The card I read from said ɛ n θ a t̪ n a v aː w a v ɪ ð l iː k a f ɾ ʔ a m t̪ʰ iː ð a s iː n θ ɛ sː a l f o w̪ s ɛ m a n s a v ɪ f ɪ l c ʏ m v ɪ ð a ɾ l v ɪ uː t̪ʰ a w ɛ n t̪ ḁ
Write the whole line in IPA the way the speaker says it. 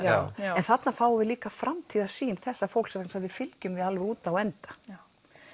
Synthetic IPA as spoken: ɛ n θ a t̪ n a f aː w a v ɪ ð l iː k a f ɾ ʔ a m t̪ʰ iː ð a s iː n θ ɛ sː a f o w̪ s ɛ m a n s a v ɪ f ɪ l c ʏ m v ɪ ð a l v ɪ uː t̪ a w ɛ n t̪ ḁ